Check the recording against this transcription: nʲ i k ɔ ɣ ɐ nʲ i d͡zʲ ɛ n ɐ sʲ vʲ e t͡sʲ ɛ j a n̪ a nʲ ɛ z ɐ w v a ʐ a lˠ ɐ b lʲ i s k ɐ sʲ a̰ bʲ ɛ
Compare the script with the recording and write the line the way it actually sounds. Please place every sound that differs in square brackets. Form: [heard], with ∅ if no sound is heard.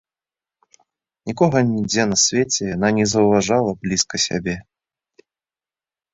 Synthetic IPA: nʲ i k ɔ ɣ ɐ nʲ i d͡zʲ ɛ n ɐ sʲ vʲ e t͡sʲ ɛ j a n̪ a nʲ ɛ z ɐ w v a ʐ a lˠ ɐ b lʲ i s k ɐ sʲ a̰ bʲ ɛ